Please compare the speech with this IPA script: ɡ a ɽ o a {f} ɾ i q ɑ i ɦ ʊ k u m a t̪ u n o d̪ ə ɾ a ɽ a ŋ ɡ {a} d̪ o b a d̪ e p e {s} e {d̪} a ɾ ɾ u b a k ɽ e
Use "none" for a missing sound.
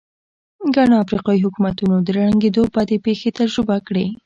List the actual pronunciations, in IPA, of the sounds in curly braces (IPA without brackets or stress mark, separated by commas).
f, e, x, t̪